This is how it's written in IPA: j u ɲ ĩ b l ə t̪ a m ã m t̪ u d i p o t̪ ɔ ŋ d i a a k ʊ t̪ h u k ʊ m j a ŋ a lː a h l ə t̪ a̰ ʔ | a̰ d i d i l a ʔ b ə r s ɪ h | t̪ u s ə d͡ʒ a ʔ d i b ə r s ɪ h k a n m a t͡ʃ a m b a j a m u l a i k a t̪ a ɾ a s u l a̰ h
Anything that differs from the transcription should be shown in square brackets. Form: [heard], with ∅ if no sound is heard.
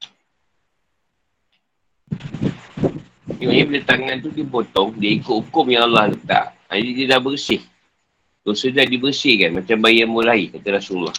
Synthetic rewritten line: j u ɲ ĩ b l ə t̪ a [ŋ] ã [n] t̪ u d i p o t̪ ɔ ŋ d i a [i] k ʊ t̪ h u k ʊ m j a ŋ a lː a h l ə t̪ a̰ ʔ | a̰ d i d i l a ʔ b ə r s ɪ h | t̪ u s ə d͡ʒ a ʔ d i b ə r s ɪ h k a n m a t͡ʃ a m b a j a m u l a i k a t̪ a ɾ a s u l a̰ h